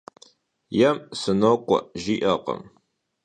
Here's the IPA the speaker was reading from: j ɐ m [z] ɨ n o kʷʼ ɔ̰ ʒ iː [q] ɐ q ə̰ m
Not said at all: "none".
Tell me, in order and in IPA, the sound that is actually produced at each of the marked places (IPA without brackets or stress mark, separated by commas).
s, ʔ